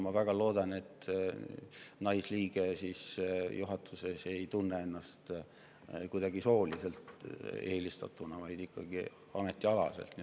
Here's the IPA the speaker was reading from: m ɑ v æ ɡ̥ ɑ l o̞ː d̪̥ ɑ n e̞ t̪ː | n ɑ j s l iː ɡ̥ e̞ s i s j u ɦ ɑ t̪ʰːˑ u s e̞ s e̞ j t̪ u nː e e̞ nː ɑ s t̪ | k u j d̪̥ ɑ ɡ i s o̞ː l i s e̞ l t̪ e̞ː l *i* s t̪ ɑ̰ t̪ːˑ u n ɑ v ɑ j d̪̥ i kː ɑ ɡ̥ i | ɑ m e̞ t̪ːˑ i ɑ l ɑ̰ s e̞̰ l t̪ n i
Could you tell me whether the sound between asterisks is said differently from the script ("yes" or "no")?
no